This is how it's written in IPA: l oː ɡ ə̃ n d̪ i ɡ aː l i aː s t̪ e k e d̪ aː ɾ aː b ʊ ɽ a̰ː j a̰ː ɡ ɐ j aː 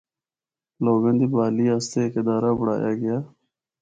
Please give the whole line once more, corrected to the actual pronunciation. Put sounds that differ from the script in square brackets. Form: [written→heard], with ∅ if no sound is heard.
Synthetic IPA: l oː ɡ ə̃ n d̪ i [ɡ→b] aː l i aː s t̪ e k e d̪ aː ɾ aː b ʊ ɽ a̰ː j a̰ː ɡ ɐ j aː